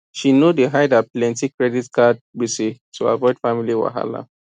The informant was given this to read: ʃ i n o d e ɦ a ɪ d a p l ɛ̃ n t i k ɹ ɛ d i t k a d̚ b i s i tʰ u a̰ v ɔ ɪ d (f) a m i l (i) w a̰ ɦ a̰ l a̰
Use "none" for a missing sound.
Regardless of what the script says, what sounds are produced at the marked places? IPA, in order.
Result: f, i

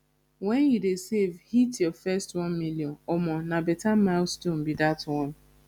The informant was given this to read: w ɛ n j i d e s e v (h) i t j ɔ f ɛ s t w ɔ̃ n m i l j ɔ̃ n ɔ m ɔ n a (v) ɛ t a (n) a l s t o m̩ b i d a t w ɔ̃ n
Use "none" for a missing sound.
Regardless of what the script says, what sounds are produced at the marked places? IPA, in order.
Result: h, b, m

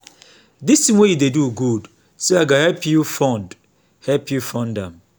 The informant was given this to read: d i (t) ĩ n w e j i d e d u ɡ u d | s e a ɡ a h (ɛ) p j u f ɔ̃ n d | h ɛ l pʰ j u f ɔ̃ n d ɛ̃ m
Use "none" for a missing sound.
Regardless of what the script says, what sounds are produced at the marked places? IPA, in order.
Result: s, ɛ

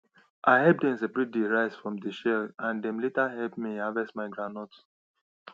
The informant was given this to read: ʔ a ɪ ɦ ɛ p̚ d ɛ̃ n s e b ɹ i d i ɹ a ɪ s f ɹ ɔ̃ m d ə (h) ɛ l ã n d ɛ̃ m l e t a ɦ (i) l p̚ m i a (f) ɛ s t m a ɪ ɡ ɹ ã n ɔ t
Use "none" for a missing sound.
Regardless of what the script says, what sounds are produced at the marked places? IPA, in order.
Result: ʃ, ɛ, v

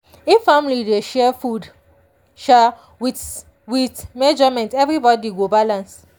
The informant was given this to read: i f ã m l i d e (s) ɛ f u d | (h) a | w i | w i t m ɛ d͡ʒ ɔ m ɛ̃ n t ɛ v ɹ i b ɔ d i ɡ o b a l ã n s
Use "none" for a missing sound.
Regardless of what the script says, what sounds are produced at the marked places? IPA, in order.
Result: ʃ, ʃ

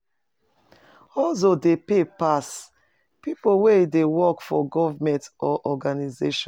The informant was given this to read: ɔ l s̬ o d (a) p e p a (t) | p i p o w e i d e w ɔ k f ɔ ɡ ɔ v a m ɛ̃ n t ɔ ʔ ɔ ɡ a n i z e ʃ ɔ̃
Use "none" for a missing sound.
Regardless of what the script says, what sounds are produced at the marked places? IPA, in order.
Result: e, s

